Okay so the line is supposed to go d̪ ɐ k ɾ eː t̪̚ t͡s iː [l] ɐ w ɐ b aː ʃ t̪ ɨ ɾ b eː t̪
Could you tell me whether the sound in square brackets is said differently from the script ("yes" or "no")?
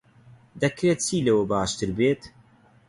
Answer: no